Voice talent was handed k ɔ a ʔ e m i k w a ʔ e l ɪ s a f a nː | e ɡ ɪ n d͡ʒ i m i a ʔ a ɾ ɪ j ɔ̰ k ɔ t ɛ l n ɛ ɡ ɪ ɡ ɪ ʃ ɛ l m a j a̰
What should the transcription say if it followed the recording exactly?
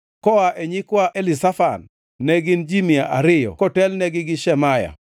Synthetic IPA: k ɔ a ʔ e ɲ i k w a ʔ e l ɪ s a f a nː | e ɡ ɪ n d͡ʒ i m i a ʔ a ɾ ɪ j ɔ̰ k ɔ t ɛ l n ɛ ɡ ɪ ɡ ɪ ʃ ɛ m a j a̰